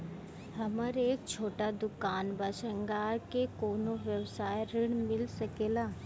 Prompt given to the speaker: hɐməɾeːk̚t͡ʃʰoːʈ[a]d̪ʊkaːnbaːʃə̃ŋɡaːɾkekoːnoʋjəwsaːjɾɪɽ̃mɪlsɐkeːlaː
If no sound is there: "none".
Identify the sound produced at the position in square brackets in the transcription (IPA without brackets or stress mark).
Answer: a